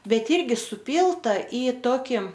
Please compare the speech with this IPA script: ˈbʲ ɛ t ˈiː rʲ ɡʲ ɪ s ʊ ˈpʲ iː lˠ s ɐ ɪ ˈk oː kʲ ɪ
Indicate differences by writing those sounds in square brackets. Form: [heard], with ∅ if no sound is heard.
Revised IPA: ˈbʲ ɛ t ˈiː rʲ ɡʲ ɪ s ʊ ˈpʲ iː lˠ [t] ɐ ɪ [ˈt] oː kʲ ɪ